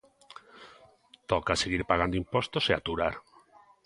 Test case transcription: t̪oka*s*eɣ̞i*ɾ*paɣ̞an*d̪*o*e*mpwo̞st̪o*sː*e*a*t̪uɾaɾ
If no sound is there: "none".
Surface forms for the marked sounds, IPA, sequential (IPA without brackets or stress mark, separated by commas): s, ɾ, d̪, i, s, a